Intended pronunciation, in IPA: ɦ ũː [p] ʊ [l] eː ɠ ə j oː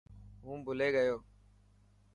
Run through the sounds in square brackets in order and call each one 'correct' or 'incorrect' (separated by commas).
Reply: incorrect, correct